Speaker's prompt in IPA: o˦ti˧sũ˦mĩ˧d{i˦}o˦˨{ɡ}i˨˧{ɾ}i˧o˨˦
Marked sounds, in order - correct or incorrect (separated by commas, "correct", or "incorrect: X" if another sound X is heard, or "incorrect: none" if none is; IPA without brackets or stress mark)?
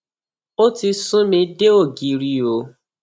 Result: incorrect: e˦, correct, correct